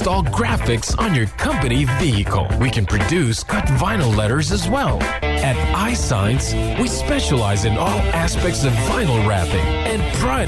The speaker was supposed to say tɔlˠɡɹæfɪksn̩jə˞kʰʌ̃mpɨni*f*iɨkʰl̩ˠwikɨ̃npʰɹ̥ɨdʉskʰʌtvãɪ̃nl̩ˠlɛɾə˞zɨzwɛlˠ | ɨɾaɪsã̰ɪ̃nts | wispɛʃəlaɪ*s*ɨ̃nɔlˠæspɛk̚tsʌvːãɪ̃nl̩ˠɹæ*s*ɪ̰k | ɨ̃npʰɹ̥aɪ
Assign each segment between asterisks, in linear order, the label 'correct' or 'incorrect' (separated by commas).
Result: incorrect, incorrect, incorrect